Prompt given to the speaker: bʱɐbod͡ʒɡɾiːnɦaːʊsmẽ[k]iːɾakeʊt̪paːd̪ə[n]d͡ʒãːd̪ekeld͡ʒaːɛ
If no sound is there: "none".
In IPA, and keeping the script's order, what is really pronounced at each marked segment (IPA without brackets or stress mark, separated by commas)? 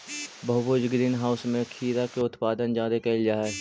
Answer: kʰ, n